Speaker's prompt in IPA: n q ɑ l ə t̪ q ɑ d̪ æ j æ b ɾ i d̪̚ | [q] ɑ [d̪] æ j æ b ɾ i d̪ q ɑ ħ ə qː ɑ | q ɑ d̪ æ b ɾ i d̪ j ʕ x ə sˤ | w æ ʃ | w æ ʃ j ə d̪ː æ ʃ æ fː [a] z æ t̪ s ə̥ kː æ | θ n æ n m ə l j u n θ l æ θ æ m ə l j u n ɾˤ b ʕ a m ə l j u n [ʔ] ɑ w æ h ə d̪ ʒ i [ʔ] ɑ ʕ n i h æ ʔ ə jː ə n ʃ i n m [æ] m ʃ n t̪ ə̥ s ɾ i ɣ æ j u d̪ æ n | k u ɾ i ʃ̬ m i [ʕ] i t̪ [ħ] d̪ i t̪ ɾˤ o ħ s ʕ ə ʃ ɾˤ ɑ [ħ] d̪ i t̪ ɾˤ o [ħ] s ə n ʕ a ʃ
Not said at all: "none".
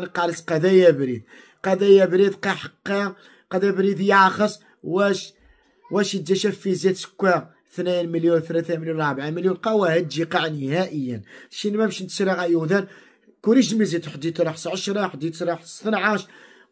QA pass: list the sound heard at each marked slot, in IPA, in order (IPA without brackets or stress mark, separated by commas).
q, d̪, i, q, q, æ, z, ħ, ħ, ħ